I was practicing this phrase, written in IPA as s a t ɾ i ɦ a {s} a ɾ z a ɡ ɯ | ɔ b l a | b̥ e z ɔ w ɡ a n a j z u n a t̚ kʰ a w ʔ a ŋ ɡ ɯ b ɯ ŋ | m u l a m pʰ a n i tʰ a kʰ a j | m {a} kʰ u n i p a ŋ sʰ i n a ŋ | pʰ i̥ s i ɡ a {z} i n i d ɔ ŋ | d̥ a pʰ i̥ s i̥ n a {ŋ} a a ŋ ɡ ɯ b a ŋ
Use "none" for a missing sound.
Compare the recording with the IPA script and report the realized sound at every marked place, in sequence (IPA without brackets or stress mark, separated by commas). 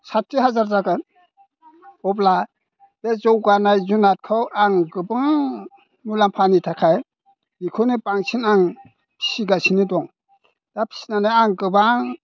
z, i, s, n